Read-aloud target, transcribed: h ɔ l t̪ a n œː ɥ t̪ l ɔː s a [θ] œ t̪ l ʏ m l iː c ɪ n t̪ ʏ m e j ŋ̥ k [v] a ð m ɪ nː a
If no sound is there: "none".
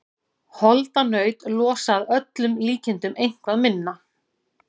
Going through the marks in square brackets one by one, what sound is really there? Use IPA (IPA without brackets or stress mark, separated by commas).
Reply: ð, v